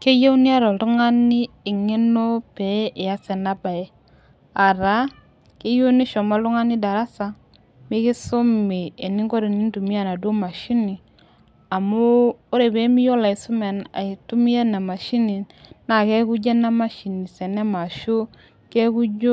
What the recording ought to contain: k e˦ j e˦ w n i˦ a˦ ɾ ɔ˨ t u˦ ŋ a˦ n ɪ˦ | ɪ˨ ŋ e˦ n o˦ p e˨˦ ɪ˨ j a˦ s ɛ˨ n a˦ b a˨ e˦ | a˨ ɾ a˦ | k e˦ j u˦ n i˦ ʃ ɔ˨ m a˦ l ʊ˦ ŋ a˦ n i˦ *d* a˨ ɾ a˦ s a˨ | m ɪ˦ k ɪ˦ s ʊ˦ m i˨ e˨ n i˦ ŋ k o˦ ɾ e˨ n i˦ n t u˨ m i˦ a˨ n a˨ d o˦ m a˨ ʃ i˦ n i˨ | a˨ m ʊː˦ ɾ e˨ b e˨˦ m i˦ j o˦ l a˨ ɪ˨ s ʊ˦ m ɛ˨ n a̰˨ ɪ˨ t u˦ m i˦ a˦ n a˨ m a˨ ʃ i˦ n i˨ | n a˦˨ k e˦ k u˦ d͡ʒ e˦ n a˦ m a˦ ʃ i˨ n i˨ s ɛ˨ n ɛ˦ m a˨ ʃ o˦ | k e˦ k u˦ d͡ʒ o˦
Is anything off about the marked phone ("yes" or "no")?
no